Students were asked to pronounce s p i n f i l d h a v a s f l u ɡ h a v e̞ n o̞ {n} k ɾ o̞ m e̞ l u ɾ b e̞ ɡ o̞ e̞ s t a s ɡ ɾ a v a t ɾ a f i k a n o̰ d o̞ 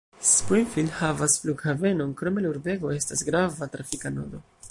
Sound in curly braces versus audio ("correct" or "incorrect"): correct